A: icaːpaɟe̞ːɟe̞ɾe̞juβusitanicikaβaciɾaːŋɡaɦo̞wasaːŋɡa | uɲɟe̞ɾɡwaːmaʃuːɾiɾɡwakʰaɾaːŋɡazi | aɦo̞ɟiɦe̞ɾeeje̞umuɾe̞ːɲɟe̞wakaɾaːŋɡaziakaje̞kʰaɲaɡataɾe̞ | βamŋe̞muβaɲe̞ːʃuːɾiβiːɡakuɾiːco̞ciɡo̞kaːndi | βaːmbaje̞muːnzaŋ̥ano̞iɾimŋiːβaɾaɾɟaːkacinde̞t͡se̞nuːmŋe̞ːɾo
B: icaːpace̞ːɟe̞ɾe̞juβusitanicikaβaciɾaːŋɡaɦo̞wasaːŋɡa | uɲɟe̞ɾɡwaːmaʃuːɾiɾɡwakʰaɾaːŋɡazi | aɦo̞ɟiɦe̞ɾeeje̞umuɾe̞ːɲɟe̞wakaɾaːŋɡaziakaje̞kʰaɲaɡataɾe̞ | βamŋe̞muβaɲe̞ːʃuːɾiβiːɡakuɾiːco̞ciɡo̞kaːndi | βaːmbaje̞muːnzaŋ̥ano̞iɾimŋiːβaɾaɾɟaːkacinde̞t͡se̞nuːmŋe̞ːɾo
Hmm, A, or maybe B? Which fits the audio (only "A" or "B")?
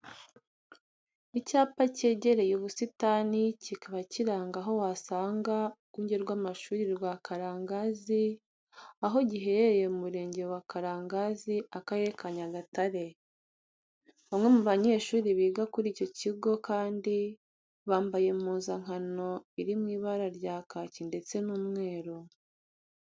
B